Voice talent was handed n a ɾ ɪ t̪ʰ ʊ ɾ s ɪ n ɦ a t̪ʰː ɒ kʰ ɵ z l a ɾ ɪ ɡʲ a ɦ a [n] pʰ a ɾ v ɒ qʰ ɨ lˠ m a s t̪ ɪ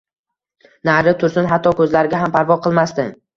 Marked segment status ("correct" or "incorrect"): incorrect